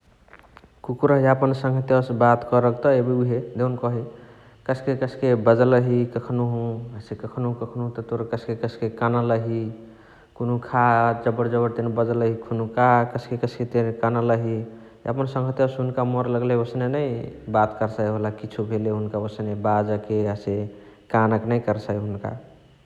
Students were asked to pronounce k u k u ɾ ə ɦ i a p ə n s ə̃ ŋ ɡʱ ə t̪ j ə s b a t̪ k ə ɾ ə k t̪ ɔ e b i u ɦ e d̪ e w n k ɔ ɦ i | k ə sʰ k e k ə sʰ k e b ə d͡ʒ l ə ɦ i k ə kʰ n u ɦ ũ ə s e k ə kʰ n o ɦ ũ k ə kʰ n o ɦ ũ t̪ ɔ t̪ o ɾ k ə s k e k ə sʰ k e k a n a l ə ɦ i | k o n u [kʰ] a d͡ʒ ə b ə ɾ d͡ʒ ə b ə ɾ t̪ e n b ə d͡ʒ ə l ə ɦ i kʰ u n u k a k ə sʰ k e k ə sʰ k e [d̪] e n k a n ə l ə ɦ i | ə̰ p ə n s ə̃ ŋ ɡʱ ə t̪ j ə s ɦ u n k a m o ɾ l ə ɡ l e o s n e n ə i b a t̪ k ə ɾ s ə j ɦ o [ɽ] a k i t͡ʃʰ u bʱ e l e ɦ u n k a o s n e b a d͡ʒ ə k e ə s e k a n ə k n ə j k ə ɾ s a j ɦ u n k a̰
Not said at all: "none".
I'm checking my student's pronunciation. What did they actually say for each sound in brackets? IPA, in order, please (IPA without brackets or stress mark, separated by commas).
kʰ, t̪, l